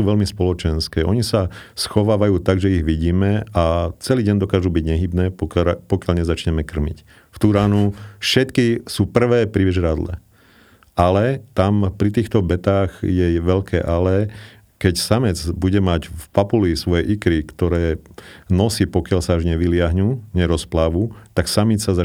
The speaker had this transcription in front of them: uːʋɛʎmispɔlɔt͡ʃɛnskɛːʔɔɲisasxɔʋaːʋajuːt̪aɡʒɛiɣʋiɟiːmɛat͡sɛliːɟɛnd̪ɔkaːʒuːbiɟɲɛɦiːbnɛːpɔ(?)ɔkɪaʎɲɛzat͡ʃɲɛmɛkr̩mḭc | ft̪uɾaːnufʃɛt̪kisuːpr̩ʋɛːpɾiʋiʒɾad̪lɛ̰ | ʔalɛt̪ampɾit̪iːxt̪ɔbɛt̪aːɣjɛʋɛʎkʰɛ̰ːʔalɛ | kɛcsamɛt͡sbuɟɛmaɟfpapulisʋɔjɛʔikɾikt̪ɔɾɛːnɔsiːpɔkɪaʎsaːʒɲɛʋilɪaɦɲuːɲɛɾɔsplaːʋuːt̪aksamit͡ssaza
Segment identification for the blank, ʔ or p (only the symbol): p